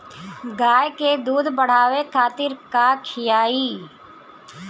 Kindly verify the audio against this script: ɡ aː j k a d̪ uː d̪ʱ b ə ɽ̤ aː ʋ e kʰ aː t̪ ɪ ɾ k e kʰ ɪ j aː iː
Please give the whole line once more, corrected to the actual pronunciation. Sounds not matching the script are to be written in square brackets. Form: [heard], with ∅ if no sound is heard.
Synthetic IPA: ɡ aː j k [e] d̪ uː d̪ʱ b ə ɽ̤ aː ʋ e kʰ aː t̪ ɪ ɾ k [a] kʰ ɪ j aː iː